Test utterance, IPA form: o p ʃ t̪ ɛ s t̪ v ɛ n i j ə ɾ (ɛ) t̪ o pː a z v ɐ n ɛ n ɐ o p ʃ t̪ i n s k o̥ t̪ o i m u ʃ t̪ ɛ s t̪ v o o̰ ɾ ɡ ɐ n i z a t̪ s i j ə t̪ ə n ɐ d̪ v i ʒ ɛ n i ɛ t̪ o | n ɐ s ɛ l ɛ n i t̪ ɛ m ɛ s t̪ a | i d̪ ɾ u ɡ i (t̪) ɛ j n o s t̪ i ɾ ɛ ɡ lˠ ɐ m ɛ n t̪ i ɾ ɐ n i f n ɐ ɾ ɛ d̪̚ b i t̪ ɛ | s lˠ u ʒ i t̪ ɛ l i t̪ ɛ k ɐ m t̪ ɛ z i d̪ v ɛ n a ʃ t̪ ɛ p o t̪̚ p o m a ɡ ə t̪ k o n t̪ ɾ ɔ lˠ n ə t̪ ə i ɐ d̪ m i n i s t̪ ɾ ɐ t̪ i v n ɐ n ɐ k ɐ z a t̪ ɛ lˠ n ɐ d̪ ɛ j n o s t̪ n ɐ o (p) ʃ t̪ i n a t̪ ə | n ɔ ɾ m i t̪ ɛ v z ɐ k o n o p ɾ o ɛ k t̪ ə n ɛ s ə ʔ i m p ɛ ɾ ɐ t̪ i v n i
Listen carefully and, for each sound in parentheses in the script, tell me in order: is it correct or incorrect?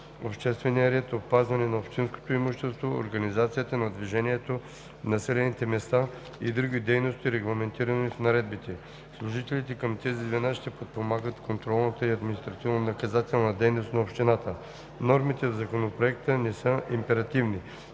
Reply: correct, incorrect, correct

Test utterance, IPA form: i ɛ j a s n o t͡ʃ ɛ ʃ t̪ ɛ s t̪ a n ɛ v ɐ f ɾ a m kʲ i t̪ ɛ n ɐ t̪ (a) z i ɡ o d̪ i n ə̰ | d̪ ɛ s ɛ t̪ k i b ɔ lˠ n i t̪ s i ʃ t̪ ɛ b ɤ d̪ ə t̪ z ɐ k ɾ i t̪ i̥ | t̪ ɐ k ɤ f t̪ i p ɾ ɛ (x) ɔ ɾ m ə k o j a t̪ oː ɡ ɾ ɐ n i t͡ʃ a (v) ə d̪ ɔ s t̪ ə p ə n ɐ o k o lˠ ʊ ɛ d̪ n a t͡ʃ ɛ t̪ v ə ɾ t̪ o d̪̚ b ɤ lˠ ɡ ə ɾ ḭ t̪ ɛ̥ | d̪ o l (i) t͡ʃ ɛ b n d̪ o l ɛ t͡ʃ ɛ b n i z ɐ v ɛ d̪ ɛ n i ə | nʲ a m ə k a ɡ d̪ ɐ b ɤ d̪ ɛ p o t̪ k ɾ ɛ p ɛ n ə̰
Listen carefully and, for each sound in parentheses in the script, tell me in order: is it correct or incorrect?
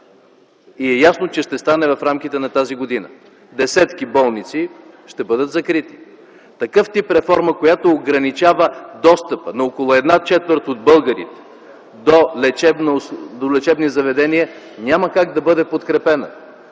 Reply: correct, incorrect, correct, incorrect

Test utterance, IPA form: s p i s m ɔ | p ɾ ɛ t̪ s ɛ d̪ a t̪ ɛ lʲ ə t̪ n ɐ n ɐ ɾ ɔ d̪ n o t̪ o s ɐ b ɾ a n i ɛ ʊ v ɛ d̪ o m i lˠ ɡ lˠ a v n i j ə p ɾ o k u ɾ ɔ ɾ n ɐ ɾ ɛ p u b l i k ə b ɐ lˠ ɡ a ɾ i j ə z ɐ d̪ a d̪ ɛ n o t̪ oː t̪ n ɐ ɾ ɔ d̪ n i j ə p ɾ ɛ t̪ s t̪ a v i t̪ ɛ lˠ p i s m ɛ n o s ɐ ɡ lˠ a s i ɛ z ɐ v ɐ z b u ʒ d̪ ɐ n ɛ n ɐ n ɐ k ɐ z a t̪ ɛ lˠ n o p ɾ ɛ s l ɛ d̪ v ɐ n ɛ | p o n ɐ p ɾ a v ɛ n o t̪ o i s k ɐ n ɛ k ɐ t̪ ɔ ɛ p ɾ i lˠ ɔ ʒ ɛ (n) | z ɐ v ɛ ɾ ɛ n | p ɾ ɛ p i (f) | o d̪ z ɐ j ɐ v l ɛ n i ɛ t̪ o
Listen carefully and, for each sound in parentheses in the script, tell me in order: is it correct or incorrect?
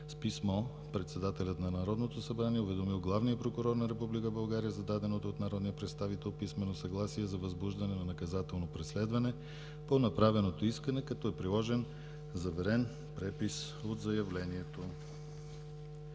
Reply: correct, incorrect

